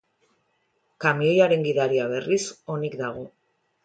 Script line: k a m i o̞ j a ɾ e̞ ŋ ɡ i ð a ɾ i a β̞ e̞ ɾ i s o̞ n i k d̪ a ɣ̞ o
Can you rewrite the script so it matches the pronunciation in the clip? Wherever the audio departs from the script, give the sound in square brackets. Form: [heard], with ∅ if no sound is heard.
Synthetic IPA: k a m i o̞ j a ɾ e̞ ŋ ɡ i ð a ɾ i a β̞ e̞ [r] i s o̞ n i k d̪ a ɣ̞ o